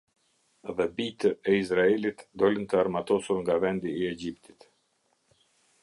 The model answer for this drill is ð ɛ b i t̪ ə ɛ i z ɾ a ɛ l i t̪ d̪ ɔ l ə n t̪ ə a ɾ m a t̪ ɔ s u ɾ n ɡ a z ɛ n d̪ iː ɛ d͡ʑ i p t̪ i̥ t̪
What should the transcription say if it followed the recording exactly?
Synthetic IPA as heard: ð ɛ b i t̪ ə ɛ i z ɾ a ɛ l i t̪ d̪ ɔ l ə n t̪ ə a ɾ m a t̪ ɔ s u ɾ ŋ ɡ a v ɛ n d̪ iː ɛ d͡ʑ i p t̪ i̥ t̪

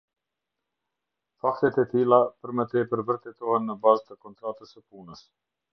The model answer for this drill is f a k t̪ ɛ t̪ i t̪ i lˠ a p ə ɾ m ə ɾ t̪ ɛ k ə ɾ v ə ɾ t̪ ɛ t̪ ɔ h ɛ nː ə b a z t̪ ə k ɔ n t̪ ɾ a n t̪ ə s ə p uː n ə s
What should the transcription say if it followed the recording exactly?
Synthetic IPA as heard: f a k t̪ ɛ t̪ ɛ t̪ i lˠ a p ə ɾ m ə t̪ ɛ p ə ɾ v ə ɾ t̪ ɛ t̪ ɔ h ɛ nː ə b a z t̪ ə k ɔ n t̪ ɾ a t̪ ə s ə p u n ə s

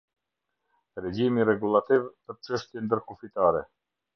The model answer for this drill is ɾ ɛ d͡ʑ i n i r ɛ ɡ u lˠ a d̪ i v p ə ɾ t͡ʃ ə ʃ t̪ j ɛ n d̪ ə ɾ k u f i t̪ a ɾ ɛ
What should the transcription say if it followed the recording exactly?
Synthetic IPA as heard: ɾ ɛ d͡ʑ i m i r ɛ ɡ u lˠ a t̪ i v p ə ɾ t͡ʃ ə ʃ t̪ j ɛ n d̪ ə ɾ k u f i t̪ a ɾ ɛ

